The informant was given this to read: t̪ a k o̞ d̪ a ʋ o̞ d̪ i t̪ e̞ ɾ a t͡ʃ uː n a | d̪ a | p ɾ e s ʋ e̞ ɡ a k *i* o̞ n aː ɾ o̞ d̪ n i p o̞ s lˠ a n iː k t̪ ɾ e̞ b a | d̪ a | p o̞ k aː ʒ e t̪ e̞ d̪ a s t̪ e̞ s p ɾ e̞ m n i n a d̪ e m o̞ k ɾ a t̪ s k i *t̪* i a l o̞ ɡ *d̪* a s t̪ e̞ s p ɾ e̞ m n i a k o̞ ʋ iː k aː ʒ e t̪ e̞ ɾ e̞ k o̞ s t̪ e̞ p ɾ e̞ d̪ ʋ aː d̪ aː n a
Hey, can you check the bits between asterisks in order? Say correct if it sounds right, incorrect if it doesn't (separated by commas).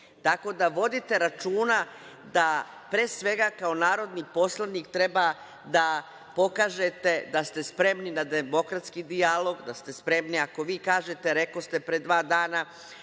incorrect, incorrect, correct